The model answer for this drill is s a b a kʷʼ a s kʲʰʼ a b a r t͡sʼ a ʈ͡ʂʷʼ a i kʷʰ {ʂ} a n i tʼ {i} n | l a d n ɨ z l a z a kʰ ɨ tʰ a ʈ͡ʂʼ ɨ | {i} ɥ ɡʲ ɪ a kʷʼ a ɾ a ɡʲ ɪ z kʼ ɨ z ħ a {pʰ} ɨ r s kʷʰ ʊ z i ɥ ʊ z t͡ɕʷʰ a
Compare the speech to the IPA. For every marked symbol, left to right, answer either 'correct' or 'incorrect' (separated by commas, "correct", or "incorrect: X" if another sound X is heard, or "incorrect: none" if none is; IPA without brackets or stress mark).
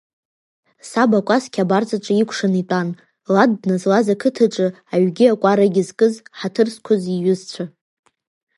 correct, incorrect: a, incorrect: a, incorrect: tʰ